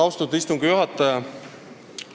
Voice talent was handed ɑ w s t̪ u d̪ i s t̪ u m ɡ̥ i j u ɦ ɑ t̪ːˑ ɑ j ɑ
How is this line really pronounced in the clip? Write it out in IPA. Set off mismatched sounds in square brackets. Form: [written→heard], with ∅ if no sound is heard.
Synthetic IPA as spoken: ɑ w s t̪ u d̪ i s t̪ u [m→ŋ] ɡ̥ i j u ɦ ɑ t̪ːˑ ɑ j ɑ